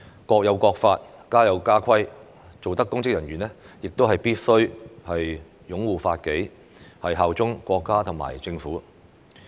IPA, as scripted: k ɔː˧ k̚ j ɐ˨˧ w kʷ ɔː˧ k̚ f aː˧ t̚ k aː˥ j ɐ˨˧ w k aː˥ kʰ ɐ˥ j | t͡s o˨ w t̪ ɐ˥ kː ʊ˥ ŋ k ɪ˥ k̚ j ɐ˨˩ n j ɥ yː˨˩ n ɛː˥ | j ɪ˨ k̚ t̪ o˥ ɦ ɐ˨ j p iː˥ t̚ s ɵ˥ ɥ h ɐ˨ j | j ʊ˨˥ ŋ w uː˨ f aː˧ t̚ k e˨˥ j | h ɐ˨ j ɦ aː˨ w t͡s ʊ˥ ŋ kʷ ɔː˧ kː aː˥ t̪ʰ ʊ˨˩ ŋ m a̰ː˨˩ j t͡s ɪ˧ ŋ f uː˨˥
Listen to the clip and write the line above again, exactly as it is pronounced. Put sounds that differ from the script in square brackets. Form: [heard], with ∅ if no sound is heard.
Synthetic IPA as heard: k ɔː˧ k̚ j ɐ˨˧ w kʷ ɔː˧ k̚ f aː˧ t̚ k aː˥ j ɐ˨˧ w k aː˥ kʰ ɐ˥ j | t͡s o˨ w t̪ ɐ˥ kː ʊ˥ ŋ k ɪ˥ k̚ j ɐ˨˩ n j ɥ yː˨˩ n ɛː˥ | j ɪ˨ k̚ t̪ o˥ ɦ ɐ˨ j p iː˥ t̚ s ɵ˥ ɥ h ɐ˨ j | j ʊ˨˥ ŋ w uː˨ f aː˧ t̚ k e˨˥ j | h ɐ˨ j ɦ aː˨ w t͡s ʊ˥ ŋ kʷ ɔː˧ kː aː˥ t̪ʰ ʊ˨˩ ŋ m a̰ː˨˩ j t͡s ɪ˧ ŋ f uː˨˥

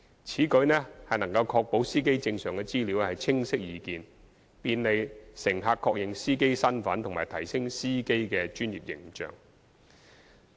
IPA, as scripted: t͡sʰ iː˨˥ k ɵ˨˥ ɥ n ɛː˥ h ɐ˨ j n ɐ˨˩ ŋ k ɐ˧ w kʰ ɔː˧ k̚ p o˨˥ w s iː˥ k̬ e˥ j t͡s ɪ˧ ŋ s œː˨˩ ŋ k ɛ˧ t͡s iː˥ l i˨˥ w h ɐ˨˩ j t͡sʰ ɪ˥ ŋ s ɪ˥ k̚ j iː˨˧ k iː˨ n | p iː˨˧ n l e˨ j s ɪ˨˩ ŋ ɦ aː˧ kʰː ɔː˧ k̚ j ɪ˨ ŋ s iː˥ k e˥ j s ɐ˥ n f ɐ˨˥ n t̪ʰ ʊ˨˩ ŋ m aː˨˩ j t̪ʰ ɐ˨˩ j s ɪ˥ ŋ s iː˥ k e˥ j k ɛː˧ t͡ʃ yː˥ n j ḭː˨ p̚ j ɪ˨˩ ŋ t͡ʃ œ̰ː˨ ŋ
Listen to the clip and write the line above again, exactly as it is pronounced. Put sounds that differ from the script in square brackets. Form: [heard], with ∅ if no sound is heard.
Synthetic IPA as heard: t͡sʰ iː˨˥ k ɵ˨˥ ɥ n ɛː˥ h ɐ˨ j n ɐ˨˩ ŋ k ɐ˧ w kʰ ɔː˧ k̚ p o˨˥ w s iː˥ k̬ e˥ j t͡s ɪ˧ ŋ s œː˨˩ ŋ k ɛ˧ t͡s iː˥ l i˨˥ w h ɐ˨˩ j t͡sʰ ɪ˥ ŋ s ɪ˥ k̚ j iː˨˧ k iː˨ n | p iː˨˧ n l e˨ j s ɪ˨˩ ŋ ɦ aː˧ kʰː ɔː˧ k̚ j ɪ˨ ŋ s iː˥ k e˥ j s ɐ˥ n f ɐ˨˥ n t̪ʰ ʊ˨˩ ŋ m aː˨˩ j t̪ʰ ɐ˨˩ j s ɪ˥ ŋ s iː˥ k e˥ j k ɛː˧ t͡ʃ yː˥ n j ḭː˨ p̚ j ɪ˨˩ ŋ t͡ʃ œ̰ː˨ ŋ

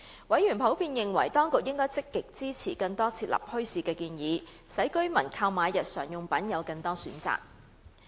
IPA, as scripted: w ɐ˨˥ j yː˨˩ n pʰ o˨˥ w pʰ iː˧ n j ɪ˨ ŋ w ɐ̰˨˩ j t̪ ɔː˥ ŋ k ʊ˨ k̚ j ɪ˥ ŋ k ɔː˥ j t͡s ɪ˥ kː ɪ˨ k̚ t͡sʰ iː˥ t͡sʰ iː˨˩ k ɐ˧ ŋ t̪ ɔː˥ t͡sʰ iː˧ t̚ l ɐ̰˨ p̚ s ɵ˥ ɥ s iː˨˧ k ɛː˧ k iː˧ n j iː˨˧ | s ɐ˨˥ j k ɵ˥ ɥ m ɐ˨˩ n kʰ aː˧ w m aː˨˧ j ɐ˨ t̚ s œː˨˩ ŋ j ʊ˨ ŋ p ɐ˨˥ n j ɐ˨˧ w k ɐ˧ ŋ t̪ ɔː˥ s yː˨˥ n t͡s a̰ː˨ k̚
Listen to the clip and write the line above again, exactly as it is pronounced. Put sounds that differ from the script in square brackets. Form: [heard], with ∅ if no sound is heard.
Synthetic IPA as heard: w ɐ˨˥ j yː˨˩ n pʰ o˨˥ w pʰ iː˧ n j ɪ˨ ŋ w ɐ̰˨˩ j t̪ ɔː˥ ŋ k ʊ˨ k̚ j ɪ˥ ŋ k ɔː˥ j t͡s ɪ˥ kː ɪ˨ k̚ [t͡s] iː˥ t͡sʰ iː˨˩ k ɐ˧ ŋ t̪ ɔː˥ t͡sʰ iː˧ t̚ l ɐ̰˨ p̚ [h] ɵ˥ ɥ s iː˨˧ k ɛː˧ k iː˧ n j iː˨˧ | s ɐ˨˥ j k ɵ˥ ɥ m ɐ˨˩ n kʰ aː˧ w m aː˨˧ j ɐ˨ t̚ s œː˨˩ ŋ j ʊ˨ ŋ p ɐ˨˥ n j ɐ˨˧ w k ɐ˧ ŋ t̪ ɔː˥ s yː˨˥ n t͡s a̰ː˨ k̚

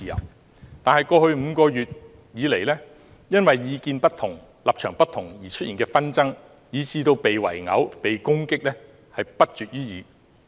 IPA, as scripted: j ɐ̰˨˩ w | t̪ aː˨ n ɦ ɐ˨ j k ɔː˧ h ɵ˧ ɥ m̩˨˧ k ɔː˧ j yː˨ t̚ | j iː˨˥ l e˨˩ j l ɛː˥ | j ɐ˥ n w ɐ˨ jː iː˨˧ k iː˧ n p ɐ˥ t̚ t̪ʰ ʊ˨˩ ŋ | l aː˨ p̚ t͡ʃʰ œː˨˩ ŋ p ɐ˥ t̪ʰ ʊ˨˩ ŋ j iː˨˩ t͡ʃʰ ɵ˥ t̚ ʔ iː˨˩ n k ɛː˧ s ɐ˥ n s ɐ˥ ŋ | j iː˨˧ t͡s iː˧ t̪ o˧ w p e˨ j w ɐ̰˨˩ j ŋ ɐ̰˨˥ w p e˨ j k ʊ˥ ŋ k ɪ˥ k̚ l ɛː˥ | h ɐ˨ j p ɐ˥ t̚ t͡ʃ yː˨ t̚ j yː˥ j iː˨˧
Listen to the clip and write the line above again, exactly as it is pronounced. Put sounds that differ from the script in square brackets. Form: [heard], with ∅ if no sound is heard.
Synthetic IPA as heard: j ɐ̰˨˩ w | t̪ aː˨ n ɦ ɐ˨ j k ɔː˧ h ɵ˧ ɥ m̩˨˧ k ɔː˧ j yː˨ t̚ | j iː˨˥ l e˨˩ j l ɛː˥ | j ɐ˥ n w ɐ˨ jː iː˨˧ k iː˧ n p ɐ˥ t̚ t̪ʰ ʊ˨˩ ŋ | l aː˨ p̚ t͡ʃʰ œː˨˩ ŋ p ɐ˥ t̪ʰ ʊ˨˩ ŋ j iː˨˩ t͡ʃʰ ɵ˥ t̚ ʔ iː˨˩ n k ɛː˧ [f] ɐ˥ n [t͡s] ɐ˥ ŋ | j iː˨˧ t͡s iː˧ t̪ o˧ w p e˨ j w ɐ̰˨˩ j ŋ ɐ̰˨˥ w p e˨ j k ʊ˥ ŋ k ɪ˥ k̚ l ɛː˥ | h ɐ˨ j p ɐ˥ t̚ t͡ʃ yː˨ t̚ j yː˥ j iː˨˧

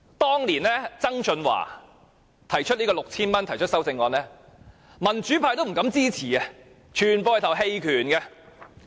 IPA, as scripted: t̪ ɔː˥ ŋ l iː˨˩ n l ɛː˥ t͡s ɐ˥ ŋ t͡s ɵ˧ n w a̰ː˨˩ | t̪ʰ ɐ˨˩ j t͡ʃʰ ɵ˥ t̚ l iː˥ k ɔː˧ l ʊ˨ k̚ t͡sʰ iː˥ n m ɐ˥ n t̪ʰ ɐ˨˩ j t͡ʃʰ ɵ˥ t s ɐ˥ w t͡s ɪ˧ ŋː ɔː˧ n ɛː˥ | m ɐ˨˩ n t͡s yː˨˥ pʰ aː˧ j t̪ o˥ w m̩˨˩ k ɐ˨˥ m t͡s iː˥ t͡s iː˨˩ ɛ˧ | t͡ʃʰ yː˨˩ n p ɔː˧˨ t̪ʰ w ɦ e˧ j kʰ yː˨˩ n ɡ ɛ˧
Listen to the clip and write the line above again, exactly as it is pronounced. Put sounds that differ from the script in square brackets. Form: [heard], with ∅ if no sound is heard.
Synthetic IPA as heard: t̪ ɔː˥ ŋ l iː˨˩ n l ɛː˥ t͡s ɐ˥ ŋ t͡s ɵ˧ n w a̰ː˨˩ | t̪ʰ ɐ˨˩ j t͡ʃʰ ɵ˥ t̚ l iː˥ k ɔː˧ l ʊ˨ k̚ t͡sʰ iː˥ n m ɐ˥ n t̪ʰ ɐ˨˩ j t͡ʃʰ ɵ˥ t s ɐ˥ w t͡s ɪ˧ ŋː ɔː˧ n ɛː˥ | m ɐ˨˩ n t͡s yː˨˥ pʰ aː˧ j t̪ o˥ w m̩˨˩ k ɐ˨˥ m t͡s iː˥ [t͡sʰ] iː˨˩ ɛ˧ | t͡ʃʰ yː˨˩ n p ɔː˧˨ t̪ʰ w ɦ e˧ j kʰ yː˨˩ n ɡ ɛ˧

